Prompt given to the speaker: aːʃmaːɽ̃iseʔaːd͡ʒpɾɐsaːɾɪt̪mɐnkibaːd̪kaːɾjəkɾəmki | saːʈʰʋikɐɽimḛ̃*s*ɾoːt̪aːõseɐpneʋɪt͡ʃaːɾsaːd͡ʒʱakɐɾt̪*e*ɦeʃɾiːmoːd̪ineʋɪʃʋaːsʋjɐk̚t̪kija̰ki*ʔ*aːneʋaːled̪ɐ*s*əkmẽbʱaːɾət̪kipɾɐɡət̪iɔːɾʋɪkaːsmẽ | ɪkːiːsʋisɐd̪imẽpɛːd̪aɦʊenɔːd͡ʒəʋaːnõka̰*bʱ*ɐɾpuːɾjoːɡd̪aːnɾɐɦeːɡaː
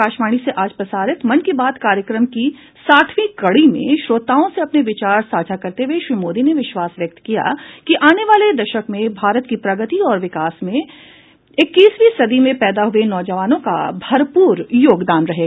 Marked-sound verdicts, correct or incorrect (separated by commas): incorrect, correct, correct, incorrect, correct